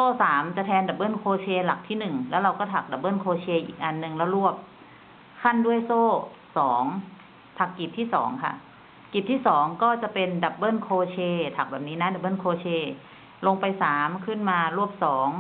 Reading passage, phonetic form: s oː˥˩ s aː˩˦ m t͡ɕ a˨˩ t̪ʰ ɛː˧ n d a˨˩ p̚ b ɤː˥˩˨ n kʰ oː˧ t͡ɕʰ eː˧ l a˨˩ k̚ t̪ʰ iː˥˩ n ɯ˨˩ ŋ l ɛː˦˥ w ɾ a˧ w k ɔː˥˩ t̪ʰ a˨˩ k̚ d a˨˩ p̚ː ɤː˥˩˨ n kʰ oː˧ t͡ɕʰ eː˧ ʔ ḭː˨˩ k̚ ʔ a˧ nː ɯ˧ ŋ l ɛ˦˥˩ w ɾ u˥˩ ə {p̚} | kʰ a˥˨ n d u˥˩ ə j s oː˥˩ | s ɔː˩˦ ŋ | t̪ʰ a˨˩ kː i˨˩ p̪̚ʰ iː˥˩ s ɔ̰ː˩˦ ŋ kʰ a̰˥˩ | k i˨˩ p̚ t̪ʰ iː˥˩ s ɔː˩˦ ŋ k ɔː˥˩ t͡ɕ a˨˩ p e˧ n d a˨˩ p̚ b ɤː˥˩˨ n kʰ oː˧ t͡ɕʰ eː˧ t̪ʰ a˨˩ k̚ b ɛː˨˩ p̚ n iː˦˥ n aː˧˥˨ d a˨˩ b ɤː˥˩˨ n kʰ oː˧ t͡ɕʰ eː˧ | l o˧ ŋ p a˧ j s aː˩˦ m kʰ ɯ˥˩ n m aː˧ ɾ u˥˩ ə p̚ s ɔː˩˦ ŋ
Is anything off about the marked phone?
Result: no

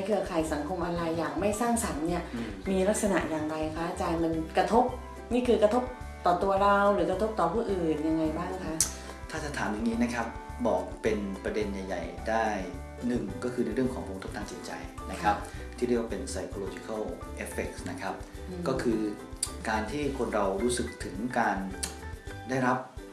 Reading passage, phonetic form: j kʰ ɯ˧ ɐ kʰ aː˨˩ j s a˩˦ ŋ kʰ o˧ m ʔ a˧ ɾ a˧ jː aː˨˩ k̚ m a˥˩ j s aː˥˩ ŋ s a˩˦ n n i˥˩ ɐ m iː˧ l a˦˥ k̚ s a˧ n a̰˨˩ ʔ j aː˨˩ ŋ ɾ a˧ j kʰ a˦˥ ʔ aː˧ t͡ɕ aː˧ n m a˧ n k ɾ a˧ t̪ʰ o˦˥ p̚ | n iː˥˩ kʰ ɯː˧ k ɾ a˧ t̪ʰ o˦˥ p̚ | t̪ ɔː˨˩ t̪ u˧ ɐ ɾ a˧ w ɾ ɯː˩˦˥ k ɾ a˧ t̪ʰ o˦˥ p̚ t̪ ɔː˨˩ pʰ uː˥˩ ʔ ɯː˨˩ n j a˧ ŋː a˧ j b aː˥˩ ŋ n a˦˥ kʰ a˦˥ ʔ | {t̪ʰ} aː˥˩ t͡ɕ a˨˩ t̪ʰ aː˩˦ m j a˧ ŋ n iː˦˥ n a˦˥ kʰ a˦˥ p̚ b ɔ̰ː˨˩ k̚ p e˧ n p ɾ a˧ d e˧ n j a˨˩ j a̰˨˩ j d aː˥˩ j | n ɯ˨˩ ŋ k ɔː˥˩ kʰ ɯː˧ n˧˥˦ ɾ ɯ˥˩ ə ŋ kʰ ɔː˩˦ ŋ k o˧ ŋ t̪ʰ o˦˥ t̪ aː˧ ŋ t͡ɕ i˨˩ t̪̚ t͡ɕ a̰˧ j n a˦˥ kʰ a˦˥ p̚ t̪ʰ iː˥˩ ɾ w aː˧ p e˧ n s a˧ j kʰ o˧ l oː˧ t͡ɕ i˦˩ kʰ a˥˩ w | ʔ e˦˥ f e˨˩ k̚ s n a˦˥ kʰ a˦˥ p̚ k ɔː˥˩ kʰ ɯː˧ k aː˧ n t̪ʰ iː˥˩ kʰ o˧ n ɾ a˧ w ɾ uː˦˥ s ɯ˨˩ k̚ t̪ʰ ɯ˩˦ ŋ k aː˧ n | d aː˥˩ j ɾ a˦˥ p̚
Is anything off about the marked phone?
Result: no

